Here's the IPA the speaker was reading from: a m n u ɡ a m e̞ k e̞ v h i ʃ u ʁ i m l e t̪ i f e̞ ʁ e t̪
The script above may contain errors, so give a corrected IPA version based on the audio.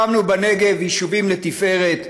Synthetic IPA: a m n u b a n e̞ ɡ e̞ v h i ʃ u v i m l e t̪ i f e̞ ʁ e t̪